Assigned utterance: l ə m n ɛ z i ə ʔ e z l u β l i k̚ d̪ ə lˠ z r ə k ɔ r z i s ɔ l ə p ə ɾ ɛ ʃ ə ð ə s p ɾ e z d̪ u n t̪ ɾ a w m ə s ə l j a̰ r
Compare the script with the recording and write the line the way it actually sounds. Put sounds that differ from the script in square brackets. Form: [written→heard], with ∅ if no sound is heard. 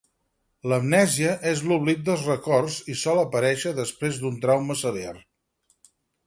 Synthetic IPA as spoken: l ə m n ɛ z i ə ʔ e z l u β l i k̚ d̪ ə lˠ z r ə k ɔ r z i s ɔ l ə p ə ɾ ɛ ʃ ə ð ə s p ɾ e z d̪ u n t̪ ɾ a w m ə s ə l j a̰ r